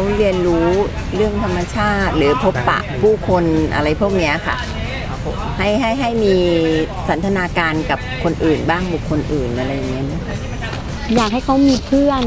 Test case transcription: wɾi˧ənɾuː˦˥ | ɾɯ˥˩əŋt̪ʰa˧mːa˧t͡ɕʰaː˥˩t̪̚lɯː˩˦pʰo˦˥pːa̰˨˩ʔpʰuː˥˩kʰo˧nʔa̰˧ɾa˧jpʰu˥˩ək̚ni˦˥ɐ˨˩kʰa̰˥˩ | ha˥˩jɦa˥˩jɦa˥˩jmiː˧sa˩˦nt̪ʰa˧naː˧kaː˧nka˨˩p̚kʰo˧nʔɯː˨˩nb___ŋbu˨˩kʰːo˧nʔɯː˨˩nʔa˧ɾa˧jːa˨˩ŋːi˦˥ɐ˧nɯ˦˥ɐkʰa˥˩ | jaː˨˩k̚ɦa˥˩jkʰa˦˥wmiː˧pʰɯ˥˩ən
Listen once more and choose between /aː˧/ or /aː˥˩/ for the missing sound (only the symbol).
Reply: aː˥˩